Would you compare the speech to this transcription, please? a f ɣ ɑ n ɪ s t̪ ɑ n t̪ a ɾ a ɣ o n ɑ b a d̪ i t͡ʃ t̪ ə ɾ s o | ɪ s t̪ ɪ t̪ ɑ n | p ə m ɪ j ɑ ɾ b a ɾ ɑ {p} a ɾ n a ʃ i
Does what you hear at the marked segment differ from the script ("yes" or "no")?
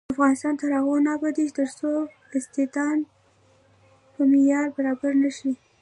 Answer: yes